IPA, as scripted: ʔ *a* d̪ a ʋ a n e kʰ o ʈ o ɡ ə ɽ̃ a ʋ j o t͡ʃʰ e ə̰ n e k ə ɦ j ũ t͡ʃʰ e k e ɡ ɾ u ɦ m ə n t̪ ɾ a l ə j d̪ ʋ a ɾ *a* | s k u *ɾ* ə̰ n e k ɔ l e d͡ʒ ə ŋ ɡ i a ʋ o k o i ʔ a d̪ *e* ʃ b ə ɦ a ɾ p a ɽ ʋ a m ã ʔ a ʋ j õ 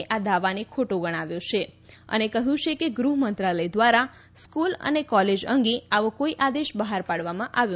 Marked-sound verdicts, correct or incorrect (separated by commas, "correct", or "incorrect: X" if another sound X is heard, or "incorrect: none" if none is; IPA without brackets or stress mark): correct, correct, incorrect: l, correct